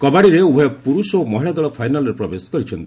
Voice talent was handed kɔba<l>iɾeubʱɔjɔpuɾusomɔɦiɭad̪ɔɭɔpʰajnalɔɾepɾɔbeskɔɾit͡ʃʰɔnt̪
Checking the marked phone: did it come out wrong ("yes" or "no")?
yes